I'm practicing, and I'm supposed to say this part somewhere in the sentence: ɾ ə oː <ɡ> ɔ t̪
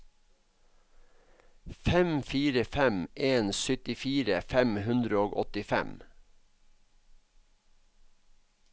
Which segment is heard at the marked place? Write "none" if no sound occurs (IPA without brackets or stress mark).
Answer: ɡ